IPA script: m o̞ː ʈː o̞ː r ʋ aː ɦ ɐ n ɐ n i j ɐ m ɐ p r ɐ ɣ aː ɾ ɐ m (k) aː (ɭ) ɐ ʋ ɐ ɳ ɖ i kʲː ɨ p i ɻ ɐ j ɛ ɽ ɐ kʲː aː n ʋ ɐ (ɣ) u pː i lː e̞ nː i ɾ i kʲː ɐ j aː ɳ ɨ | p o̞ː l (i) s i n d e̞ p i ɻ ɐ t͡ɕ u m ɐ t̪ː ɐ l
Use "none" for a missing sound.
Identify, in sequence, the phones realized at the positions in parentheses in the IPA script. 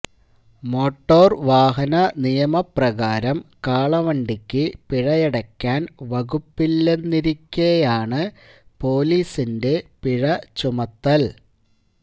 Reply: k, ɭ, ɣ, iː

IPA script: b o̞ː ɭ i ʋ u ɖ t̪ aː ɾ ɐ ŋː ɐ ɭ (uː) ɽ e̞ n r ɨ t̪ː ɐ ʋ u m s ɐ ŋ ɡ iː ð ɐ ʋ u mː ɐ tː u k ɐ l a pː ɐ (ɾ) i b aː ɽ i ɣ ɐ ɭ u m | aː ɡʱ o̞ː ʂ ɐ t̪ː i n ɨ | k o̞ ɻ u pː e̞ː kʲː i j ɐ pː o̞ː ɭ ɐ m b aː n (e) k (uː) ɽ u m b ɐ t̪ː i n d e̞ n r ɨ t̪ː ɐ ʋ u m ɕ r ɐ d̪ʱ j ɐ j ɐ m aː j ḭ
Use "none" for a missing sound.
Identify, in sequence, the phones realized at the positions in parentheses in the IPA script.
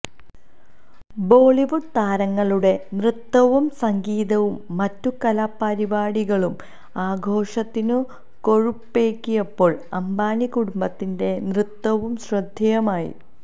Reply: u, ɾ, i, u

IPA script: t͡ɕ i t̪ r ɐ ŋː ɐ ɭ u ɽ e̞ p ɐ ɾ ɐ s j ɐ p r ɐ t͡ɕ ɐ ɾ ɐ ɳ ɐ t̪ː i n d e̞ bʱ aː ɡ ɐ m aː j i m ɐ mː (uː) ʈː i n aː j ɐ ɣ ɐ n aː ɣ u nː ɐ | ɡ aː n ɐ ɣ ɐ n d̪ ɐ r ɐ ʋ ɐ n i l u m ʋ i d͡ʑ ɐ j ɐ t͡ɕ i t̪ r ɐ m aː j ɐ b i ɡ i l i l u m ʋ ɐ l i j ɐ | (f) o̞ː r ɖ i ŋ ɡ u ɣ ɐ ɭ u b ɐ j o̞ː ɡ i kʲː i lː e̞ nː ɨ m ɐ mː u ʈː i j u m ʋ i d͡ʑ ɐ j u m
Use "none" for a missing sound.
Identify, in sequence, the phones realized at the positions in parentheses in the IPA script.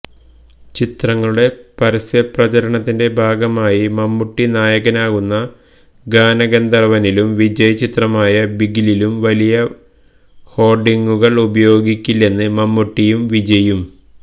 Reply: u, h

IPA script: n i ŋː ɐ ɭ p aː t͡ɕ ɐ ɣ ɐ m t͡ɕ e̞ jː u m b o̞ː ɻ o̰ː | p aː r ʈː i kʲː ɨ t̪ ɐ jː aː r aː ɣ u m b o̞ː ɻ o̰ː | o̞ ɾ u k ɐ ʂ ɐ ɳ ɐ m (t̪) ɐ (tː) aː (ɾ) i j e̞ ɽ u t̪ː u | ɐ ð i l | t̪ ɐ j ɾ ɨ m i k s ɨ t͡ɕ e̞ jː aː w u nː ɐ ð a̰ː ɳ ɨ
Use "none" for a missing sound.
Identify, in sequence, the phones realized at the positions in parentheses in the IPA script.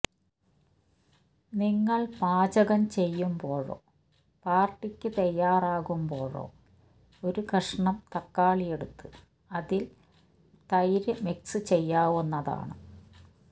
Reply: t̪, kː, ɭ

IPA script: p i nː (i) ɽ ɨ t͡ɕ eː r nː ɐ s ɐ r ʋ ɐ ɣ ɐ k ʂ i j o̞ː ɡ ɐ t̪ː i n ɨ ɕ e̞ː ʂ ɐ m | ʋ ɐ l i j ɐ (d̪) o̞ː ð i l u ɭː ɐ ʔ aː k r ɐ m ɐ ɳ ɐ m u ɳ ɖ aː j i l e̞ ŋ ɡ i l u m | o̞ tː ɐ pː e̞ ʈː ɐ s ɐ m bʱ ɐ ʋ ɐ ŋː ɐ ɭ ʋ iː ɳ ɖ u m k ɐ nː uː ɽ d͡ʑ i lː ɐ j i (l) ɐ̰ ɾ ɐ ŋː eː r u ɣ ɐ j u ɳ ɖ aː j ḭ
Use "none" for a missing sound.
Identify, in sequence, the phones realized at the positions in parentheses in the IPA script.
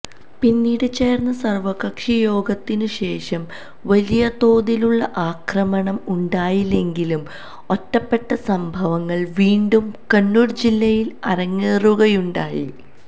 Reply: iː, t̪, l

